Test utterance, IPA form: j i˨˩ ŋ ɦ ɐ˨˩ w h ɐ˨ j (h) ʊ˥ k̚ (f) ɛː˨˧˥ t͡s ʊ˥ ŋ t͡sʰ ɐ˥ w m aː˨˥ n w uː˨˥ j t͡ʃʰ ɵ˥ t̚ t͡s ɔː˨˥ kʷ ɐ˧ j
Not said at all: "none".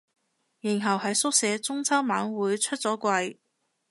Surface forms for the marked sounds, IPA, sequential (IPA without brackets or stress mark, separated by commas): s, s